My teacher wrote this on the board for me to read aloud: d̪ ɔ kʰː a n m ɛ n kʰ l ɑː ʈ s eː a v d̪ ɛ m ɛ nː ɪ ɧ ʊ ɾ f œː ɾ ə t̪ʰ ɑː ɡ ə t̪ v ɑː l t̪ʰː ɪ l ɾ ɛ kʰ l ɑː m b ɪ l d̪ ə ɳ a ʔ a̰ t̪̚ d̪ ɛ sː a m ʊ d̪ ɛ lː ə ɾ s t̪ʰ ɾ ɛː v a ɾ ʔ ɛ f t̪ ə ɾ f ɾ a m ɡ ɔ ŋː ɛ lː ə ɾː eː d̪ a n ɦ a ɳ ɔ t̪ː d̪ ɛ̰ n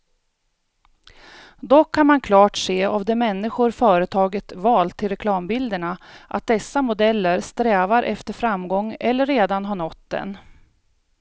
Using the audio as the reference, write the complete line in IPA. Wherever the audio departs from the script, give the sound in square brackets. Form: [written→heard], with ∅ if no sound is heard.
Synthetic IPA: d̪ ɔ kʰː a n m [ɛ→a] n kʰ l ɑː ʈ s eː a v d̪ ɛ m ɛ nː ɪ ɧ ʊ ɾ f œː ɾ ə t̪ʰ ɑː ɡ ə t̪ v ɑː l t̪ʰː ɪ l ɾ ɛ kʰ l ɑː m b ɪ l d̪ ə ɳ a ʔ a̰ t̪̚ d̪ ɛ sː a m ʊ d̪ ɛ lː ə ɾ s [t̪ʰ→t̪] ɾ ɛː v a ɾ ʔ ɛ f t̪ ə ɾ f ɾ a m ɡ ɔ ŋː ɛ lː ə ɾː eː d̪ a n ɦ a ɳ ɔ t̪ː d̪ ɛ̰ n